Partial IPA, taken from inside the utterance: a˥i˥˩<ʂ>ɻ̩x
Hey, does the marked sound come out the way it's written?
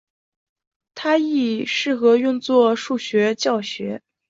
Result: yes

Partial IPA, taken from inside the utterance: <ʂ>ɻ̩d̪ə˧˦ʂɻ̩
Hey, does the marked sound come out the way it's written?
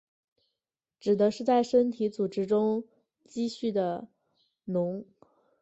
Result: no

